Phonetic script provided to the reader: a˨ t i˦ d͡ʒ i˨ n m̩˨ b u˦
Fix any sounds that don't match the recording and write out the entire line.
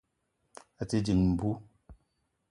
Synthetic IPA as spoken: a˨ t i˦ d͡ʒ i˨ ŋ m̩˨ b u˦